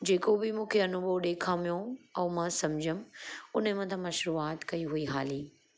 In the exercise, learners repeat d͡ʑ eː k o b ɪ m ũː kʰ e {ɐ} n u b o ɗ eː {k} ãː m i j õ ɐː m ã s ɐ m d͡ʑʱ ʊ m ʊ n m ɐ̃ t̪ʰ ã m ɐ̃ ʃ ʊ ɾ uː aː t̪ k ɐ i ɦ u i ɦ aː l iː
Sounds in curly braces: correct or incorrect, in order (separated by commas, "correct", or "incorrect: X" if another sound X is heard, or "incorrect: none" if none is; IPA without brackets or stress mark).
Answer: correct, incorrect: kʰ